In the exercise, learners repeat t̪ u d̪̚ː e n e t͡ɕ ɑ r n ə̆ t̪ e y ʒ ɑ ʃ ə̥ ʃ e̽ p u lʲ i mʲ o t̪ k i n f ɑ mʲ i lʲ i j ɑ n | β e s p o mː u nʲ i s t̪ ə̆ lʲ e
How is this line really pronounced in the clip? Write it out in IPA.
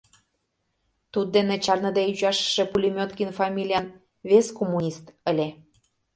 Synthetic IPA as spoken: t̪ u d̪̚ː e n e t͡ɕ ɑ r n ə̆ d̪ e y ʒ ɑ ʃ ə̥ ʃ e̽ p u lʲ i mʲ o t̪ k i n f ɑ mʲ i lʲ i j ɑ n | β e s k o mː u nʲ i s t̪ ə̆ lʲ e